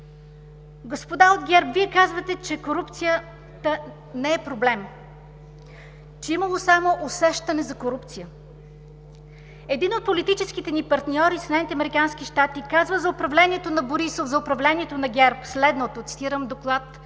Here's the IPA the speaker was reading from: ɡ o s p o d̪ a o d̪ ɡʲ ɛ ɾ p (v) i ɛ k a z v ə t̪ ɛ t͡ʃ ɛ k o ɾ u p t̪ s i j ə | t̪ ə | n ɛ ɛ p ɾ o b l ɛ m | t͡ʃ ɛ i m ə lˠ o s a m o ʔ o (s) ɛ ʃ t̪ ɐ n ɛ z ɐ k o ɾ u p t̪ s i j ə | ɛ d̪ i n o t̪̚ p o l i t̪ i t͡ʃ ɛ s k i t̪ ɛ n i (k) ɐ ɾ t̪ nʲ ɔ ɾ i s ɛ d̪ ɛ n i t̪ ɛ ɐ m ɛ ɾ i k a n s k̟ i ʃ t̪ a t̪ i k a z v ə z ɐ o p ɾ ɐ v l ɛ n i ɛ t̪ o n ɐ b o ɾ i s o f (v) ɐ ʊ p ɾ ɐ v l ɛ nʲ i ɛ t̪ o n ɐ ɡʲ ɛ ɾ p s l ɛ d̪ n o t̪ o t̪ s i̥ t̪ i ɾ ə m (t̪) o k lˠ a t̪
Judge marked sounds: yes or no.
yes, yes, no, no, no

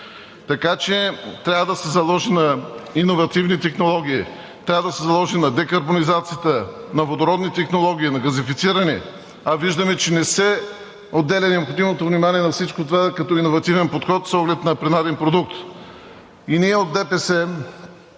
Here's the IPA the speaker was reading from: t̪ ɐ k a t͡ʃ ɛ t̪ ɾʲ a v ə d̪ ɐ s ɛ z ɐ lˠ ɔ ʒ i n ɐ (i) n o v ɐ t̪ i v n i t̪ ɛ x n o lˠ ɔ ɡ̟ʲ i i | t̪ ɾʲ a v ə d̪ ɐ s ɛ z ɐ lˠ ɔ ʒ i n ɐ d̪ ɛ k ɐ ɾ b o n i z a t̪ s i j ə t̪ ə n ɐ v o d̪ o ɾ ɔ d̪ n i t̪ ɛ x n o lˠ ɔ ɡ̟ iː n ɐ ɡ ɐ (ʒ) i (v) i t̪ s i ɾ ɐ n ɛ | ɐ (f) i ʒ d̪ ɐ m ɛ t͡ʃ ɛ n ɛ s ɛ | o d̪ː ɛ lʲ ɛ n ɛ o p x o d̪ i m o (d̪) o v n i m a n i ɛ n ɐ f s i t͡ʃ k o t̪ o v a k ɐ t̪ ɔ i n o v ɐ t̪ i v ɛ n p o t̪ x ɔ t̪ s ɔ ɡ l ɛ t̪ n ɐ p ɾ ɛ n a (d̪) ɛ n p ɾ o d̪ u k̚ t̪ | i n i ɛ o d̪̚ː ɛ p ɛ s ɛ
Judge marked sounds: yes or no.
yes, no, no, no, no, yes

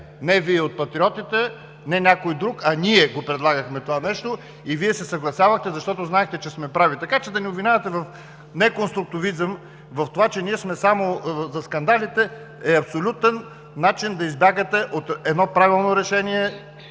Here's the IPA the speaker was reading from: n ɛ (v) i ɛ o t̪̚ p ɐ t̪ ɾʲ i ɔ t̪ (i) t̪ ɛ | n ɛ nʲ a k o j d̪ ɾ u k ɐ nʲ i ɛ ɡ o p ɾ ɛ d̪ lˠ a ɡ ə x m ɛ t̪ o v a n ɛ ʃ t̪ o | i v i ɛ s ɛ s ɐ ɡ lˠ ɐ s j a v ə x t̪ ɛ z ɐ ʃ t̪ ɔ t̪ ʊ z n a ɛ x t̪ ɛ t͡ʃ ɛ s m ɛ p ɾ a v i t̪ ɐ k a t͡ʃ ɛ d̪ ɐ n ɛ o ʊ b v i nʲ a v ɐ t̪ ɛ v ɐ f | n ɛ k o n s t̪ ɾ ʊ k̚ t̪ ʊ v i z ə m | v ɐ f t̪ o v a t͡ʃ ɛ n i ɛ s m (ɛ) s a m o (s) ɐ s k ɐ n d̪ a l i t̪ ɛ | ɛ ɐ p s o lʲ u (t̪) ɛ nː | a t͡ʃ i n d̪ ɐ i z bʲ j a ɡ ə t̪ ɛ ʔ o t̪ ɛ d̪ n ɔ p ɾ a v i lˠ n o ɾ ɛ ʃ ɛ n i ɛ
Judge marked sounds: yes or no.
yes, yes, yes, no, yes

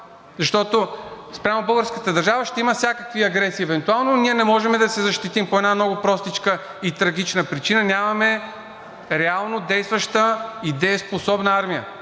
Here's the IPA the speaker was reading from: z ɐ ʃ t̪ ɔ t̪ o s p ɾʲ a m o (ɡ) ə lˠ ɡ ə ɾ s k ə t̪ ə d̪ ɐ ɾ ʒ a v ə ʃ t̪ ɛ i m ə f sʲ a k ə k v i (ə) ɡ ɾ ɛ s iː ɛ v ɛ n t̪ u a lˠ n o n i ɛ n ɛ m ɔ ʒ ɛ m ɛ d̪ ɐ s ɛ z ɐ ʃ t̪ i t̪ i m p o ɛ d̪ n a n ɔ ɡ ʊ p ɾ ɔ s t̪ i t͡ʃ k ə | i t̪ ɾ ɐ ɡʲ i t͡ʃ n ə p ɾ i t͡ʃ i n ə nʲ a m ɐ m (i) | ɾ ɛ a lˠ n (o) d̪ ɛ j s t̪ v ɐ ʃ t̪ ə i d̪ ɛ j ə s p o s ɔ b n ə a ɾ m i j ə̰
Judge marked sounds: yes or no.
no, no, no, yes

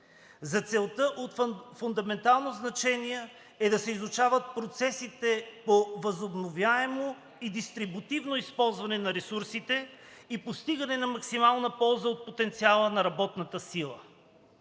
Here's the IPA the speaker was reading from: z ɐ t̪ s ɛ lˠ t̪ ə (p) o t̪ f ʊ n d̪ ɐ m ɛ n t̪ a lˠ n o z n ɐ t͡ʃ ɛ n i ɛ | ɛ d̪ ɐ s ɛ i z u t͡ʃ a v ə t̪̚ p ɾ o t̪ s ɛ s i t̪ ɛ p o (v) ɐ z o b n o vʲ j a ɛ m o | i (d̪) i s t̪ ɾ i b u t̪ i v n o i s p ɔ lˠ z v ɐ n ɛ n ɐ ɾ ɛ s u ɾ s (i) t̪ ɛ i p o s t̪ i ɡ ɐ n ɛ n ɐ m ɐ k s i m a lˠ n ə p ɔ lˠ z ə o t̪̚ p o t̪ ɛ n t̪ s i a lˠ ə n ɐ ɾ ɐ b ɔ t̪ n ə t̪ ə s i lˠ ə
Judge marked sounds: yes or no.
no, yes, yes, yes

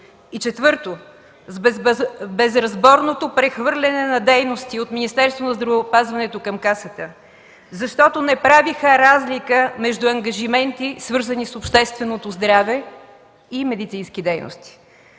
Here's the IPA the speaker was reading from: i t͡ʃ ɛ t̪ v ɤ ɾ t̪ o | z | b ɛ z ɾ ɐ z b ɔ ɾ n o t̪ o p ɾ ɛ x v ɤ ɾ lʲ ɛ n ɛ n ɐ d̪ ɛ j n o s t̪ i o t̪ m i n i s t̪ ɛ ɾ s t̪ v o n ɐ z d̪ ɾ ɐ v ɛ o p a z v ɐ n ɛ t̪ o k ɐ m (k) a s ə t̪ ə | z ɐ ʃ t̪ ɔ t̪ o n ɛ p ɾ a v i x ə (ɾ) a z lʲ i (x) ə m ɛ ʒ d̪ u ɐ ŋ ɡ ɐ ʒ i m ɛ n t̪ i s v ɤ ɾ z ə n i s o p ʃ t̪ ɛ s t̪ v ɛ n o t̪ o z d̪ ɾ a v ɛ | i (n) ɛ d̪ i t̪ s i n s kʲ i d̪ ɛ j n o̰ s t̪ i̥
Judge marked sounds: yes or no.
yes, yes, no, no

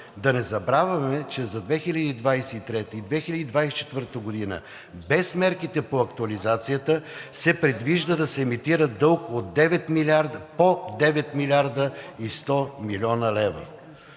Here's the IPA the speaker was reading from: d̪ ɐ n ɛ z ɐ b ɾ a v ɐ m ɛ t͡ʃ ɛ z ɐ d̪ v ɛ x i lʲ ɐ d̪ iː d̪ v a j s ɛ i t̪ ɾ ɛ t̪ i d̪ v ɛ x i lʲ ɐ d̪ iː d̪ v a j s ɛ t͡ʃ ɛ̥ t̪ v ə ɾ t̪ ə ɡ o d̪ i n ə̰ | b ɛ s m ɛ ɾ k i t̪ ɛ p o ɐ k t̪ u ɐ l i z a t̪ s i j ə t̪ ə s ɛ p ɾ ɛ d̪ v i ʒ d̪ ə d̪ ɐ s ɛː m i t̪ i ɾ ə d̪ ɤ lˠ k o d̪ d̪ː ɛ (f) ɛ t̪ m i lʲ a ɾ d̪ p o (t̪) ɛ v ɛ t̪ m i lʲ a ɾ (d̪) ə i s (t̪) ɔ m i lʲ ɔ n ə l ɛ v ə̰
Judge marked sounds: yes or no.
no, no, yes, yes

